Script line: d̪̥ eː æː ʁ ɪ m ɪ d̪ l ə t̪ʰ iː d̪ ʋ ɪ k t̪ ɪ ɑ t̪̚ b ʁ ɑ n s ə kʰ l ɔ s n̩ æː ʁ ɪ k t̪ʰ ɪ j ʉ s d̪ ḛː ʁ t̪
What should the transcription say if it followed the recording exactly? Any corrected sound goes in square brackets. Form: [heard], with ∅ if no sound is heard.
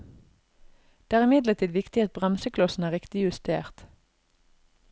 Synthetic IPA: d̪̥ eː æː ʁ ɪ m ɪ d̪ l ə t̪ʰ iː d̪ ʋ ɪ k t̪ ɪ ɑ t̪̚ b ʁ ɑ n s ə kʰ l ɔ s n̩ æː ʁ ɪ k [t̪] ɪ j ʉ s [t̪] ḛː ʁ t̪